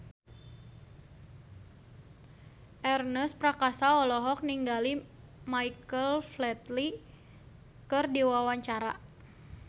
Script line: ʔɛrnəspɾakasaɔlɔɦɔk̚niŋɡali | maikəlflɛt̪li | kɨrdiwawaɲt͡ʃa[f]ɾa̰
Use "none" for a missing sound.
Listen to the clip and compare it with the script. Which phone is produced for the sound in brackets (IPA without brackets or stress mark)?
none